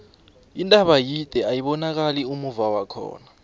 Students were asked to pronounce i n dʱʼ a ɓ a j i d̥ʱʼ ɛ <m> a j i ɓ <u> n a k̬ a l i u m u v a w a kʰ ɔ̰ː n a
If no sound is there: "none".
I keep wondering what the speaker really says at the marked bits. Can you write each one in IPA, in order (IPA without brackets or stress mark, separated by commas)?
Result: none, ɔ